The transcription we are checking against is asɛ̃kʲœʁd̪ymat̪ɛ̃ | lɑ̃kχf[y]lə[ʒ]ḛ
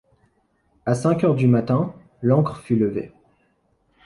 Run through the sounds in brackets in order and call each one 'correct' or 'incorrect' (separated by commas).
correct, incorrect